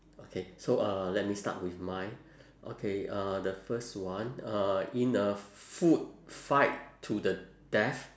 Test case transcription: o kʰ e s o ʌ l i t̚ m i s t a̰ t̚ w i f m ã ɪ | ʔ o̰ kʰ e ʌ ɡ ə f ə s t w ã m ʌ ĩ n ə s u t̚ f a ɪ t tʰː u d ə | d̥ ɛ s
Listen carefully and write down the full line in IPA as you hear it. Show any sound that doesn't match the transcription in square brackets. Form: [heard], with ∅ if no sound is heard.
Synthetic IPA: o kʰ e s o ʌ l [ɛ] t̚ m i s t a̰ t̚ w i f m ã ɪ | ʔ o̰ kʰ e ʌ [d] ə f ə s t w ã [n] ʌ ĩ n ə [f] u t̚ f a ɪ t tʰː u d ə | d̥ ɛ [f]